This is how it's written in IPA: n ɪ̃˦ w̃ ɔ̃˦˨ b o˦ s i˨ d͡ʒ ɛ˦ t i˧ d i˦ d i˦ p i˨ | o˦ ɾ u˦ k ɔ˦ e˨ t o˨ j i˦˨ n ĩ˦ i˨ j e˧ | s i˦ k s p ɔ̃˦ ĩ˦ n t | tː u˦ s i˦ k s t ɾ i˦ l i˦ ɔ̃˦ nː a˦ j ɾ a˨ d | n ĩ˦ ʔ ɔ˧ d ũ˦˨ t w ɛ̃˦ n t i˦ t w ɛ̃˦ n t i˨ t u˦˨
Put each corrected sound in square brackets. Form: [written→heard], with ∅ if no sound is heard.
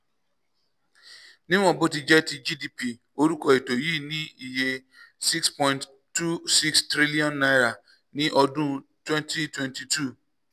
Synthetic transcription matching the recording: n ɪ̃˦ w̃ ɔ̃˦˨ b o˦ [s→t] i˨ d͡ʒ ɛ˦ t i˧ [d→d͡ʒ] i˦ d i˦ p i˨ | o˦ ɾ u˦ k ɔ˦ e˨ t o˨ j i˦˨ n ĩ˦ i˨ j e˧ | s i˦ k s p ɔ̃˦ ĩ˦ n t | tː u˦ s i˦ k s t ɾ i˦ l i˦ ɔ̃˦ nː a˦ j ɾ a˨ [d→∅] | n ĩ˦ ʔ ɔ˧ d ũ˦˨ t w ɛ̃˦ n t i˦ t w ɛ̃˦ n t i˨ t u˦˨